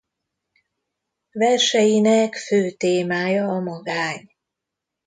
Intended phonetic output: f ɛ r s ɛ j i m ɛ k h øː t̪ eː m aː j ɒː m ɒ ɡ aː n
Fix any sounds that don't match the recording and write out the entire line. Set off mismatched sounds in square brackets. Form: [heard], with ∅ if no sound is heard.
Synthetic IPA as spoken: [v] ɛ r [ʃ] ɛ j i [n] ɛ k [f] øː t̪ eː m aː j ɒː m ɒ ɡ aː [ɲ]